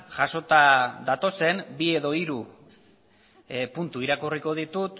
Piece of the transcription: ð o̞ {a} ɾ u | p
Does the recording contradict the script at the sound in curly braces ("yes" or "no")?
yes